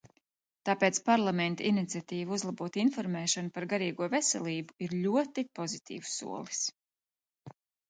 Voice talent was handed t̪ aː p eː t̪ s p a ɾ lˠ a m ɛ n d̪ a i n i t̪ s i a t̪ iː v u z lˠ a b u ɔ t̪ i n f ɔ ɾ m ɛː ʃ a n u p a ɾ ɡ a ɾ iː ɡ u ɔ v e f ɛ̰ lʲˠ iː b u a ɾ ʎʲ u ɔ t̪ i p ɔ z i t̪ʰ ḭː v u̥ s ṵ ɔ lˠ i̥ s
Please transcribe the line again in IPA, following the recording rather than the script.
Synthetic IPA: t̪ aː p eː t̪ s p a ɾ lˠ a m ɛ n t̪ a i n i t̪ s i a t̪ iː v u z lˠ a b u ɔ t̪ i n f ɔ ɾ m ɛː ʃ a n u p a ɾ ɡ a ɾ iː ɡ u ɔ v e s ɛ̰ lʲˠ iː b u i ɾ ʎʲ u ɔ t̪ i p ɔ z i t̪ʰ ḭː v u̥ s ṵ ɔ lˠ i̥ s